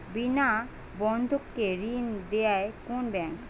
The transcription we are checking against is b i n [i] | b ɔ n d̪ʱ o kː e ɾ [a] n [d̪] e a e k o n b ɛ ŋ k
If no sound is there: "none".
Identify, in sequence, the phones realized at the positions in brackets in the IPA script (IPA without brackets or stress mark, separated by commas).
a, i, d̪